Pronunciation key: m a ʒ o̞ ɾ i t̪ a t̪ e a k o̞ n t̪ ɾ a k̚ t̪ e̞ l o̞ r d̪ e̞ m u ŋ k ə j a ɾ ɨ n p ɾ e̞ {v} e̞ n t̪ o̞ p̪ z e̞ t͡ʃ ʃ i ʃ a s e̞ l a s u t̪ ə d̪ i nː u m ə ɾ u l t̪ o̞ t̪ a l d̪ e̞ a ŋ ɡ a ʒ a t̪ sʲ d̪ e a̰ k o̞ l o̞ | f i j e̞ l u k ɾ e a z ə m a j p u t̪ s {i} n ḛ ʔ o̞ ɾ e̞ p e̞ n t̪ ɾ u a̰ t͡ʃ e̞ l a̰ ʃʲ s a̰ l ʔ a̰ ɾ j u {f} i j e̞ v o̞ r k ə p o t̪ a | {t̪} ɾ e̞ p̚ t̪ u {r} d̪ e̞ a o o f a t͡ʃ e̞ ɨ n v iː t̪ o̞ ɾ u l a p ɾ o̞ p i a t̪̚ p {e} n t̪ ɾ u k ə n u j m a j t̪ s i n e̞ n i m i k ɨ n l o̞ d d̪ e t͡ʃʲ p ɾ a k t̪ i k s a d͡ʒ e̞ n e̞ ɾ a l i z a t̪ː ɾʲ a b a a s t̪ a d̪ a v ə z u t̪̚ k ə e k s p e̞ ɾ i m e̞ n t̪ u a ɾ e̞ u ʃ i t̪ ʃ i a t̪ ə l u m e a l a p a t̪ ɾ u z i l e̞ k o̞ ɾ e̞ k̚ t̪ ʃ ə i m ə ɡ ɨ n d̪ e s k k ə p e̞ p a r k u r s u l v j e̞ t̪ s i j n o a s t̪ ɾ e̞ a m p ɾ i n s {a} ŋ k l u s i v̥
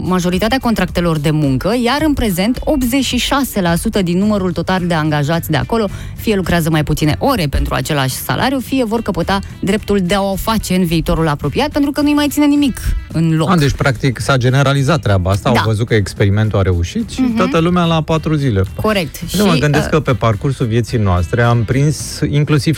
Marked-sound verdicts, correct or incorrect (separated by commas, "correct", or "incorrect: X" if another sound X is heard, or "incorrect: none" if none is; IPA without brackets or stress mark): incorrect: z, correct, correct, incorrect: d̪, incorrect: l, correct, incorrect: i